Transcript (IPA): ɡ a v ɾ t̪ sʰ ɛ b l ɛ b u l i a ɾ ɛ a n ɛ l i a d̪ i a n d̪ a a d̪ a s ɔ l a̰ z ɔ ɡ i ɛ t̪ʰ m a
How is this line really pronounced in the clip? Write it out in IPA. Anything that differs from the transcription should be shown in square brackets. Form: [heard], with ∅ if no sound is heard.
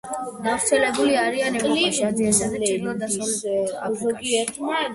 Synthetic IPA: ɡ a v ɾ t̪ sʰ ɛ [∅] l ɛ b u l i a ɾ [i] a n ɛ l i a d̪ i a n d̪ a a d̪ a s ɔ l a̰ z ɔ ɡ i ɛ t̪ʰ m a